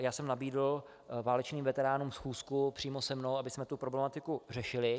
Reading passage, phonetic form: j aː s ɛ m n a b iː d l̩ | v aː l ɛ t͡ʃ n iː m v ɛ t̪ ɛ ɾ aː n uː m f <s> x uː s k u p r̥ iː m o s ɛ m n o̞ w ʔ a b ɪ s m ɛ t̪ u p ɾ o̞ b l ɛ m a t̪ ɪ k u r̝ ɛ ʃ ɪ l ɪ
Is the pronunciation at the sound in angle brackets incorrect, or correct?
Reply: correct